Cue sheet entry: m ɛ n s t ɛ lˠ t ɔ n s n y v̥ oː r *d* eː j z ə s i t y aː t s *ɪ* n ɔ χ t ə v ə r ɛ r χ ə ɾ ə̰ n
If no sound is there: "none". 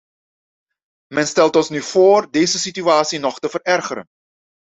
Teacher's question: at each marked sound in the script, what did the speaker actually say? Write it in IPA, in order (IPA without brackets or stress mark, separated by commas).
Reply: d, i